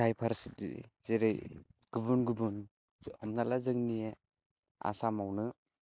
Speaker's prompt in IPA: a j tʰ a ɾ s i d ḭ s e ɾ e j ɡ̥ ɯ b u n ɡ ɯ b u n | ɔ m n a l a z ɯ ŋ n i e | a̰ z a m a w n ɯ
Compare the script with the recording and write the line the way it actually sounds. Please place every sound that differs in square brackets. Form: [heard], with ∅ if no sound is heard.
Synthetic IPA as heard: a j [pʰ] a ɾ s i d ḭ [z] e ɾ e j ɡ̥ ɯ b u n ɡ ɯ b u n | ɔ m n a l a z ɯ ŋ n i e | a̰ [s] a m a w n ɯ